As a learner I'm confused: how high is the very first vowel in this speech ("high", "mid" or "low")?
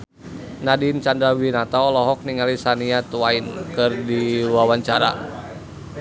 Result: low